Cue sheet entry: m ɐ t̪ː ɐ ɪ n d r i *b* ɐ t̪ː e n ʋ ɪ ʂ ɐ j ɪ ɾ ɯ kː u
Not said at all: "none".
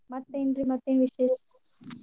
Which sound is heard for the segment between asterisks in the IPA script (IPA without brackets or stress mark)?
m